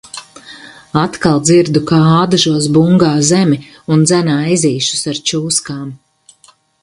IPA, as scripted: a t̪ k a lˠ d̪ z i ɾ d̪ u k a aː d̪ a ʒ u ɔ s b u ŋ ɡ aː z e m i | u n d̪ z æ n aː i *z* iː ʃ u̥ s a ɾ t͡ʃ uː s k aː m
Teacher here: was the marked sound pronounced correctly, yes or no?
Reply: yes